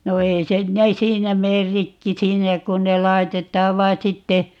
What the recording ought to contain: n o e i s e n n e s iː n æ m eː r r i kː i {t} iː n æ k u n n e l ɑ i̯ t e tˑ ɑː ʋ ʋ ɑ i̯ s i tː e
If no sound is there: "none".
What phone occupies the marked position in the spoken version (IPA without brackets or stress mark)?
s